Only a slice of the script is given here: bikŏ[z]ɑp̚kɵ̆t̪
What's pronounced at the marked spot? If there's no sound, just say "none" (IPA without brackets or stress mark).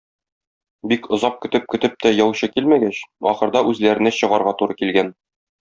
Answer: z